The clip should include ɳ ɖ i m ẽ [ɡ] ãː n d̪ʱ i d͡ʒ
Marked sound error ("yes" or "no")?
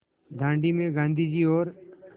no